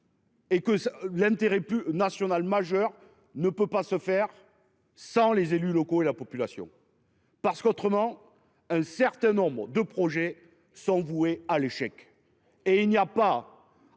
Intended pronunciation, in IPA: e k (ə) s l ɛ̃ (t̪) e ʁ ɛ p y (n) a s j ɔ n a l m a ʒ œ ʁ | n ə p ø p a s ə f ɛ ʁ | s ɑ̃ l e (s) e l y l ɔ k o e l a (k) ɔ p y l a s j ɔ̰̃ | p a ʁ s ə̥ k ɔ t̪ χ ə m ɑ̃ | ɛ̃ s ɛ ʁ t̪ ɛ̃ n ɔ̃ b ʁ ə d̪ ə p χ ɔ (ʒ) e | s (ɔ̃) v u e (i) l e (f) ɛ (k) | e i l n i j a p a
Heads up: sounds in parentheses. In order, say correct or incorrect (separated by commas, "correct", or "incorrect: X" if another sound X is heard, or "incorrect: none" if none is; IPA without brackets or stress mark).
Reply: correct, correct, correct, incorrect: z, incorrect: p, correct, correct, incorrect: a, incorrect: ʃ, correct